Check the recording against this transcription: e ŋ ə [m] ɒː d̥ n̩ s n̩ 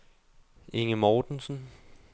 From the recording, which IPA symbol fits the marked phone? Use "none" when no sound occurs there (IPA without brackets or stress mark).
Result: m